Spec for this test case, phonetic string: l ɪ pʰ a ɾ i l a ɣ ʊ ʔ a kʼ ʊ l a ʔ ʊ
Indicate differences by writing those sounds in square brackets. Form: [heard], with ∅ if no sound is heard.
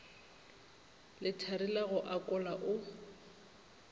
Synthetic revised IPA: l ɪ [tʰ] a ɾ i l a ɣ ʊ ʔ a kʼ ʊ l a ʔ ʊ